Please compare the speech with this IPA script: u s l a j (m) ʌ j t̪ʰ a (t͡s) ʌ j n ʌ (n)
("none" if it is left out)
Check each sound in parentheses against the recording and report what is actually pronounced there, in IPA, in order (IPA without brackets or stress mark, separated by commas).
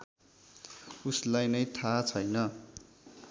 n, t͡sʰ, none